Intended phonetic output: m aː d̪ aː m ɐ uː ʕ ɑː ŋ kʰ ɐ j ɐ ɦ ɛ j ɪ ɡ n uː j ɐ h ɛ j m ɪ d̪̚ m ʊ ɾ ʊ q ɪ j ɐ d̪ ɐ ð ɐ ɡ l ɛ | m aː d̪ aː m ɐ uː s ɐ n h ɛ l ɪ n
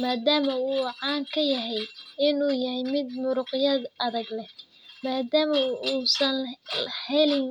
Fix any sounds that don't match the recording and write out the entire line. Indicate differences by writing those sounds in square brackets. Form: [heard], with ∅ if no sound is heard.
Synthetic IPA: m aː d̪ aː m ɐ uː ʕ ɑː ŋ kʰ ɐ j ɐ ɦ ɛ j ɪ [∅] n uː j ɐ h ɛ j m ɪ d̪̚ m ʊ ɾ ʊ q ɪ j ɐ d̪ ɐ ð ɐ ɡ l ɛ | m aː d̪ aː m ɐ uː s ɐ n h ɛ l ɪ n